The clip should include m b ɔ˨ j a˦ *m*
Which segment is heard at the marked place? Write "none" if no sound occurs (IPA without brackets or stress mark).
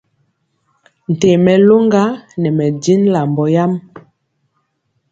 m